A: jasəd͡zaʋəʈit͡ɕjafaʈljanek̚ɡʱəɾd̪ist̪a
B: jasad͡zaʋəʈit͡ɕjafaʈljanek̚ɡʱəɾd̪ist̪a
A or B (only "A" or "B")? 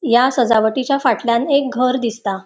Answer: A